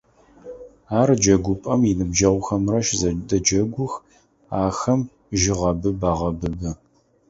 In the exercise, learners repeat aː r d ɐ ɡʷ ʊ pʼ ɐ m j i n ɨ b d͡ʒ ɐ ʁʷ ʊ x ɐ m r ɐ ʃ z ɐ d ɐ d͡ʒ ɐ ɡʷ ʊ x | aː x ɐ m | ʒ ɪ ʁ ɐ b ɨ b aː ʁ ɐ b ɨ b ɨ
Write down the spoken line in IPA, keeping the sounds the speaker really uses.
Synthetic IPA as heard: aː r d͡ʒ ɐ ɡʷ ʊ pʼ ɐ m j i n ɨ b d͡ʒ ɐ ʁʷ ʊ x ɐ m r ɐ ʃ z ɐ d ɐ d͡ʒ ɐ ɡʷ ʊ x | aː x ɐ m | ʒ ɪ ʁ ɐ b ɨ b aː ʁ ɐ b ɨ b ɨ